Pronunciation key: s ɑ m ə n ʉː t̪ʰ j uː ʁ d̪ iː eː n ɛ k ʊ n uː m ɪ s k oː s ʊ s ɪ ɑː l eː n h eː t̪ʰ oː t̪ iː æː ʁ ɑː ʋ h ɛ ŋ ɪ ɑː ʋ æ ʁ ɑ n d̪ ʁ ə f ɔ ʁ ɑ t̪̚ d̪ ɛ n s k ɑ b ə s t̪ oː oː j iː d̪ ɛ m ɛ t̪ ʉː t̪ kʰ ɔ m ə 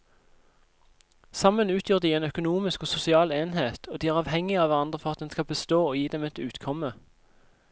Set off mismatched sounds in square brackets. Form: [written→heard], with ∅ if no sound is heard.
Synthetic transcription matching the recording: s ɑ m ə n ʉː t̪ʰ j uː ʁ d̪ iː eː n [ɛ→œ] k ʊ n uː m ɪ s k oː s ʊ s ɪ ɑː l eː n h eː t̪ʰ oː [t̪→d̪] iː æː ʁ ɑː ʋ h ɛ ŋ ɪ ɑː ʋ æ ʁ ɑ n d̪ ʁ ə f ɔ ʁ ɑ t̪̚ d̪ ɛ n s k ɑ b ə s t̪ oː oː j iː d̪ ɛ m ɛ t̪ ʉː t̪ kʰ ɔ m ə